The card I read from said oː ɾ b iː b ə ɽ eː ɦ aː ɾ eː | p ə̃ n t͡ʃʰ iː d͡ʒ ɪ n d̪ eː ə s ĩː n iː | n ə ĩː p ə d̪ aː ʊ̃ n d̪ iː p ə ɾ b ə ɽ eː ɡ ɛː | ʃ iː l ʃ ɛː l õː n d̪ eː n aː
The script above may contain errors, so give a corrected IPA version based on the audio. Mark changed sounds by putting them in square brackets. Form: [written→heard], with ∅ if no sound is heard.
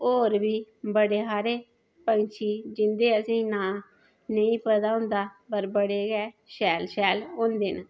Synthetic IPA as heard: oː ɾ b iː b ə ɽ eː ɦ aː ɾ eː | p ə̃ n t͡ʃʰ iː d͡ʒ ɪ n d̪ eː ə s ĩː n [iː→aː] | n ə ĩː p ə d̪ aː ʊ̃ n d̪ [iː→aː] p ə ɾ b ə ɽ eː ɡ ɛː | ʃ [iː→ɛː] l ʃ ɛː l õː n d̪ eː n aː